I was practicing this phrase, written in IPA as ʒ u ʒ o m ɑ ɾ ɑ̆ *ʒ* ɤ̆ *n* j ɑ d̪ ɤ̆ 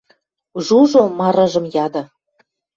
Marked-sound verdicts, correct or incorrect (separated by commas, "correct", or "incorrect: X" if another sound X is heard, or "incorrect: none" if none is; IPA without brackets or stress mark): correct, incorrect: m